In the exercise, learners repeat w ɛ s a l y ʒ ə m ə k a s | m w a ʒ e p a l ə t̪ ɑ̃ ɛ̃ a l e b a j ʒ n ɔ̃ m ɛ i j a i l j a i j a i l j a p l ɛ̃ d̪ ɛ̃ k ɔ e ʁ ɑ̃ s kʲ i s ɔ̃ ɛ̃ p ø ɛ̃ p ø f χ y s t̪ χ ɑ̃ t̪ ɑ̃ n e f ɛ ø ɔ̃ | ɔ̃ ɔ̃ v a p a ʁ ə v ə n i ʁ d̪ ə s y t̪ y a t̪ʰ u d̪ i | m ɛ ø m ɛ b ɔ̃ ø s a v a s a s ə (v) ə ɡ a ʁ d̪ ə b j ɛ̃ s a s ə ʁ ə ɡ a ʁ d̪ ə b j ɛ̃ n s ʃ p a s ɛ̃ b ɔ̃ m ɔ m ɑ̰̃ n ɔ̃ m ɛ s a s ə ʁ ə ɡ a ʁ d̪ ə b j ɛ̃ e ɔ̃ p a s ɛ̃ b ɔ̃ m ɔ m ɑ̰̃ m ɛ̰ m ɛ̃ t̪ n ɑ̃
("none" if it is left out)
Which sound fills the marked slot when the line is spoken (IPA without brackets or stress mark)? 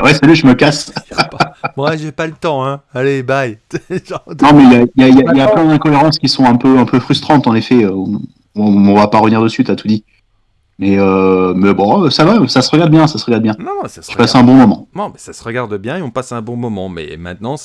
ʁ